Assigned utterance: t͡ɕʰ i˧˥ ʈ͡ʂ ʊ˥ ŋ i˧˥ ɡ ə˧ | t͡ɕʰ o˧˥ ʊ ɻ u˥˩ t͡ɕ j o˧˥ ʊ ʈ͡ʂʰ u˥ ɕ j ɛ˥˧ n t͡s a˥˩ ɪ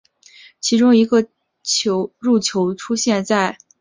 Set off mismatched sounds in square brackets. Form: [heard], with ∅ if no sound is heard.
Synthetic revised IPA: t͡ɕʰ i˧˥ ʈ͡ʂ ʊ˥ ŋ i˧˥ ɡ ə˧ | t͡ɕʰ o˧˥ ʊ ɻ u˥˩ [t͡ɕʰ] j o˧˥ ʊ ʈ͡ʂʰ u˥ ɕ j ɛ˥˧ n t͡s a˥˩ ɪ